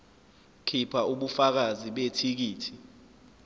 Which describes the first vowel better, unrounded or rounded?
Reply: unrounded